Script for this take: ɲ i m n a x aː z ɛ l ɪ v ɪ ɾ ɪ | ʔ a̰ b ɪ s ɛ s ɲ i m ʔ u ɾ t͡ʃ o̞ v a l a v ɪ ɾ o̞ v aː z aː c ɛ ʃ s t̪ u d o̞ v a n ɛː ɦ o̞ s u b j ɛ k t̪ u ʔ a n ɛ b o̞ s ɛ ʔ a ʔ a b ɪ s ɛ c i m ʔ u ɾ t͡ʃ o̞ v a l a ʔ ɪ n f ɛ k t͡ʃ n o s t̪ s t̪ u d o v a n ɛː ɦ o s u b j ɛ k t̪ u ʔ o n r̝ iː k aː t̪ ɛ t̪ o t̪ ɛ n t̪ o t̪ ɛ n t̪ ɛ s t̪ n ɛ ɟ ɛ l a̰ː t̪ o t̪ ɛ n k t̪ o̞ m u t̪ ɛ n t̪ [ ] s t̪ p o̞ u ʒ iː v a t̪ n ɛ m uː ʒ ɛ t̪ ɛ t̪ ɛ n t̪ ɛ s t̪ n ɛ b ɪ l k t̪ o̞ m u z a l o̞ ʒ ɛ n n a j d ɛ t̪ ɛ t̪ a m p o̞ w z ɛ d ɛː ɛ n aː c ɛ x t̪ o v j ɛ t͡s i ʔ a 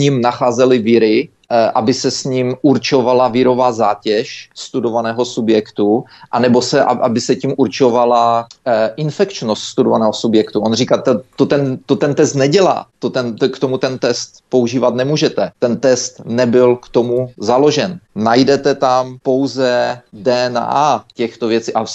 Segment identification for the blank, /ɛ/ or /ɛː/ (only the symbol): ɛ